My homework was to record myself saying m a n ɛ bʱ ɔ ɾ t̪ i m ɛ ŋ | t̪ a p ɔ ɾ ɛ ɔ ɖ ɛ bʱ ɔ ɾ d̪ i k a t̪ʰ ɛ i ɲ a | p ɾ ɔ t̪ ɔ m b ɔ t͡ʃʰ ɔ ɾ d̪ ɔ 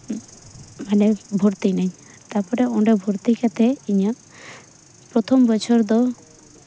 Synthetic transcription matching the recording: m a n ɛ bʱ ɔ ɾ t̪ i n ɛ ɲ | t̪ a p ɔ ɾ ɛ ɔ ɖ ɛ bʱ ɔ ɾ t̪ i k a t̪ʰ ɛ i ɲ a | p ɾ ɔ t̪ʰ ɔ m b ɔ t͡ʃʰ ɔ ɾ d̪ ɔ